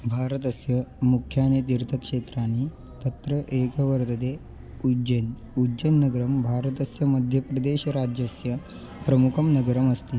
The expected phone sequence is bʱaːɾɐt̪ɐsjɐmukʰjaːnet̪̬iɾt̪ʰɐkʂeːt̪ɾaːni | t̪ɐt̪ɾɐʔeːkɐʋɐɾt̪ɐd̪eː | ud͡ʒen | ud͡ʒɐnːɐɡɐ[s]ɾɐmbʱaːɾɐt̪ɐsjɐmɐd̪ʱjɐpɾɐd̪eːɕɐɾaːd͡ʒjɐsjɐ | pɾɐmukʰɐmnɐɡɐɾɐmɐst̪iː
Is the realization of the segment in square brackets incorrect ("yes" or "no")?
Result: yes